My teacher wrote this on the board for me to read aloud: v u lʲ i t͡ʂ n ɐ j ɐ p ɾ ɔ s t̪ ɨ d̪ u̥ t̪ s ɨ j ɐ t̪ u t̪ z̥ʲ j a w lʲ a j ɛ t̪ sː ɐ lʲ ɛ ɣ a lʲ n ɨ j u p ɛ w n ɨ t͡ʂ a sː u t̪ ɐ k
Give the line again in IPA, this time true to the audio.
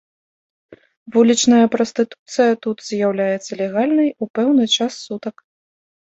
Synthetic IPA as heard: v u lʲ i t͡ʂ n ɐ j ɐ p ɾ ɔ s t̪ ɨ t̪ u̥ t̪ s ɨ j ɐ t̪ u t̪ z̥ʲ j a w lʲ a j ɛ t̪ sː ɐ lʲ ɛ ɣ a lʲ n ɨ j u p ɛ w n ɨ t͡ʂ a sː u t̪ ɐ k